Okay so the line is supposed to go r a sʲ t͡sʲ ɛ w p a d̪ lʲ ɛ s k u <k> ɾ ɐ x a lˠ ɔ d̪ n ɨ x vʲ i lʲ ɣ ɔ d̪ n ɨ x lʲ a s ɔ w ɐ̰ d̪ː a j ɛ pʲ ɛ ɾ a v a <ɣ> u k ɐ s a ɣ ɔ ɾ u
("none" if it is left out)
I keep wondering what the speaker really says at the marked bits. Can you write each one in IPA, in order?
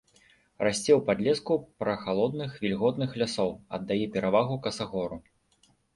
p, ɣ

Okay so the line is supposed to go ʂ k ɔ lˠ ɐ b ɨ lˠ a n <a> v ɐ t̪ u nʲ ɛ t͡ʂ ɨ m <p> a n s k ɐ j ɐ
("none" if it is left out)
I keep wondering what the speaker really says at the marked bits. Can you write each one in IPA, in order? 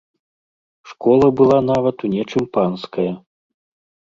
a, p

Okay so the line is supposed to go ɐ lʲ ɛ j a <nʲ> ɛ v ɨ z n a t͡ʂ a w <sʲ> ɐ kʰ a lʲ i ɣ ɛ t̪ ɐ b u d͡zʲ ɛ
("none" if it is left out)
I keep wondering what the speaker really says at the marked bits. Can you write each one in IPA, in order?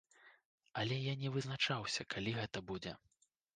nʲ, sʲ

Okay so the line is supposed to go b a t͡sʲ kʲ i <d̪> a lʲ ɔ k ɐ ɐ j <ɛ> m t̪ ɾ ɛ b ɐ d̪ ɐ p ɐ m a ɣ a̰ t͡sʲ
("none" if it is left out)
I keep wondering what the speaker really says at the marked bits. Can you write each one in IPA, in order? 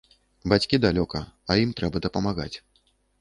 d̪, i

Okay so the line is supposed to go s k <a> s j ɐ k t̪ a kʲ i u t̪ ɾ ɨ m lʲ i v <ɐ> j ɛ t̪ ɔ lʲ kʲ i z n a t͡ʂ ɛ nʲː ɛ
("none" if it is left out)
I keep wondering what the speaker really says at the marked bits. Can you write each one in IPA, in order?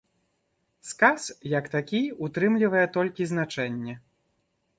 a, ɐ

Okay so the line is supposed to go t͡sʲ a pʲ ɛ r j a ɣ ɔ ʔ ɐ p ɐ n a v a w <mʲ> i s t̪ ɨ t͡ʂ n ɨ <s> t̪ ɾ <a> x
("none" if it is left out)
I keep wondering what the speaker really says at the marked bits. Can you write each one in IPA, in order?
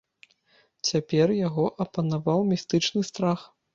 mʲ, s, a

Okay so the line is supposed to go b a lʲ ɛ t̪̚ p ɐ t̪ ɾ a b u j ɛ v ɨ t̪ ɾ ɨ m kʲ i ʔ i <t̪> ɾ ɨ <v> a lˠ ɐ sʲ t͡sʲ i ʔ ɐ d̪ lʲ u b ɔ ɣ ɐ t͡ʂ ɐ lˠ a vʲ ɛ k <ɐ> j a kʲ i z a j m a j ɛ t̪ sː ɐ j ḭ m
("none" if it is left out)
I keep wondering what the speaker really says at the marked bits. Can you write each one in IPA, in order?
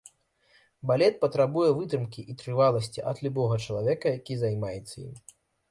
t̪, v, ɐ

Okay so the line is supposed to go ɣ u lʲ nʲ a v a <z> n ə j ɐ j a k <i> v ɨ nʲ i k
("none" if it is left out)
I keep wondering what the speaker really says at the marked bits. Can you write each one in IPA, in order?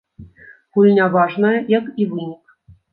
ʐ, i

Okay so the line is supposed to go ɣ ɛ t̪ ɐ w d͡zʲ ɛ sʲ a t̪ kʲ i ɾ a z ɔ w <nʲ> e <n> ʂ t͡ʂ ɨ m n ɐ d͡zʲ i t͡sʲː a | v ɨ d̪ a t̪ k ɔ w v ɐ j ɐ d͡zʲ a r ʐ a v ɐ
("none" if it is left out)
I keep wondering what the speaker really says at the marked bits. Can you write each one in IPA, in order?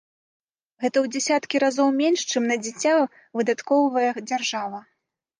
mʲ, n

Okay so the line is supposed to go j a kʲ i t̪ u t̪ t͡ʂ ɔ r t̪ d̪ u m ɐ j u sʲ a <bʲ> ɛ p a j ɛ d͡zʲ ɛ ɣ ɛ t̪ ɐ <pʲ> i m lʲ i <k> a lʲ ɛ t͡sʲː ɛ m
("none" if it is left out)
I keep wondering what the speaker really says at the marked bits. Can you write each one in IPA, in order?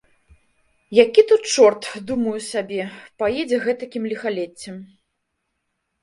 bʲ, kʲ, x

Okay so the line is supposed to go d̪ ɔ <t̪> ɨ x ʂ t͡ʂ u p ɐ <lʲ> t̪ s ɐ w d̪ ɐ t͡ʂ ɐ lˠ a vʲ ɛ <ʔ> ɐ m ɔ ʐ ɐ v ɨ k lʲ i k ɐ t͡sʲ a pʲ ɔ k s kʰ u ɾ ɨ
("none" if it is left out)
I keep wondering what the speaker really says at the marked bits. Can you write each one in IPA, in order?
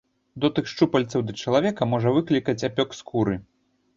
t̪, lʲ, k

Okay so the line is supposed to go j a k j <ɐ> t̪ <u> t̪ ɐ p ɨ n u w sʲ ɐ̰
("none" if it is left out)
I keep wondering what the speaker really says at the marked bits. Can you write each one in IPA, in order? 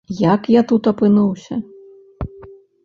a, u

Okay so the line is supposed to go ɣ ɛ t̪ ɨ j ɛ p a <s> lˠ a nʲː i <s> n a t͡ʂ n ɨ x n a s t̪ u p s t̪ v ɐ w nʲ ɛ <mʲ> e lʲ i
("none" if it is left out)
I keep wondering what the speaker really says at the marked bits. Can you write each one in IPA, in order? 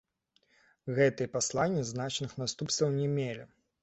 s, z, mʲ

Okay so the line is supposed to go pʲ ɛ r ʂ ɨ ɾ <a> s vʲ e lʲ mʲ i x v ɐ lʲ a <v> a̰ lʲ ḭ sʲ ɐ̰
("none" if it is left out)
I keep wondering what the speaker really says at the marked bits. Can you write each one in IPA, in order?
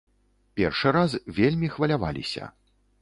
a, v

